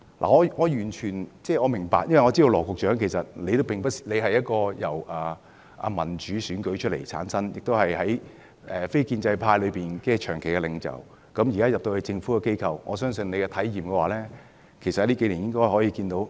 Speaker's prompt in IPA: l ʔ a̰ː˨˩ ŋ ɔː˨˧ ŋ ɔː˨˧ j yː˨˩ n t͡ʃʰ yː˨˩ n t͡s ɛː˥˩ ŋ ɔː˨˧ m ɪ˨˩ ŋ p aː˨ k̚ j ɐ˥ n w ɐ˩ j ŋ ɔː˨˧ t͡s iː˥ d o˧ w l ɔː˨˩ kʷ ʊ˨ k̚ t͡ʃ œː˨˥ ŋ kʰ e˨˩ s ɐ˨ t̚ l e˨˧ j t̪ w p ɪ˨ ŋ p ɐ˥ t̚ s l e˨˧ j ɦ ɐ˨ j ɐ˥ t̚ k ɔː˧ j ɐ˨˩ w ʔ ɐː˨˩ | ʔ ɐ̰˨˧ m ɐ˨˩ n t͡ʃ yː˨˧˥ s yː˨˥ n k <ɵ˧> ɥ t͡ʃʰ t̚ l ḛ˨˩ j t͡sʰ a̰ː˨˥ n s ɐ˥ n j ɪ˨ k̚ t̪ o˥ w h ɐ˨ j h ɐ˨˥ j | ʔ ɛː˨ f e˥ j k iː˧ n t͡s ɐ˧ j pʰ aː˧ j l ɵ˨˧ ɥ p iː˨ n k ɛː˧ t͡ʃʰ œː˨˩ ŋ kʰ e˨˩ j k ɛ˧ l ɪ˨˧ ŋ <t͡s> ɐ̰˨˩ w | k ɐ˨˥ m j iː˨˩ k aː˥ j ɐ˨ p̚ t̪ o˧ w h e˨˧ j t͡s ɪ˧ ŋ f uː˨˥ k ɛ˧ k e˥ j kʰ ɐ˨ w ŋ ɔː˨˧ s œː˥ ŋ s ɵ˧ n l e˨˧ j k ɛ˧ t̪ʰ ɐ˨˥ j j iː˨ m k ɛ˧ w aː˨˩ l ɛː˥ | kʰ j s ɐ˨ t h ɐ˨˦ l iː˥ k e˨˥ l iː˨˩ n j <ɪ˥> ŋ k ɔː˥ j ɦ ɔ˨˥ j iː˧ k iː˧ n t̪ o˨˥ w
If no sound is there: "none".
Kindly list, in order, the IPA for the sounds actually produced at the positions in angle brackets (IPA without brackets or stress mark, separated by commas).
ɵ˨˥, t͡s, ɪ˥